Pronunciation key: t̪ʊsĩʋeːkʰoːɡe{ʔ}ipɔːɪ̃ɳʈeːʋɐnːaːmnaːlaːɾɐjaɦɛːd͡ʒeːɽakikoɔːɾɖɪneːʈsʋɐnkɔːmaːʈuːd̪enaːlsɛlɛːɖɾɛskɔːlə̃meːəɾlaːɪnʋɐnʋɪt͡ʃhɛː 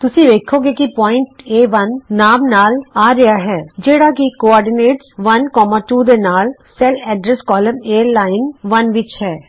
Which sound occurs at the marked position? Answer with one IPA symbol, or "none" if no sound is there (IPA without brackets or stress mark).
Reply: k